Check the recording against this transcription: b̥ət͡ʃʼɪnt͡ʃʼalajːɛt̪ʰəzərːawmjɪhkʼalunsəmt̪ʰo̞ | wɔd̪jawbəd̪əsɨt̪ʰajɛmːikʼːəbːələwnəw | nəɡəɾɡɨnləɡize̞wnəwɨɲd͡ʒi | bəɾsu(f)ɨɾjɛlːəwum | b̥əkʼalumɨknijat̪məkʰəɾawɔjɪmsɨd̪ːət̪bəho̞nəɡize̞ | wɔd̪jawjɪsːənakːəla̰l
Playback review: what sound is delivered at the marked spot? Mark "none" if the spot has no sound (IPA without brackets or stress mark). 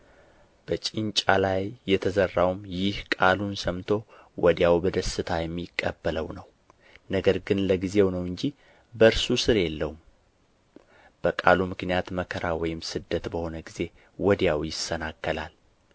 s